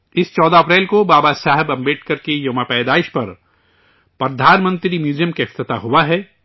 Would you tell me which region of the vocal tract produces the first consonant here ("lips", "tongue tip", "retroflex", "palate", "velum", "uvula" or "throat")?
tongue tip